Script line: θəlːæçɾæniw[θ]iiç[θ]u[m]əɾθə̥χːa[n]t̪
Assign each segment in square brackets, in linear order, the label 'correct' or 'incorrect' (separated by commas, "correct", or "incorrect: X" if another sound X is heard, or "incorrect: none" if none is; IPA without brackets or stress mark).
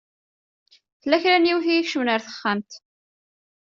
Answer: correct, incorrect: ʃ, incorrect: n, incorrect: m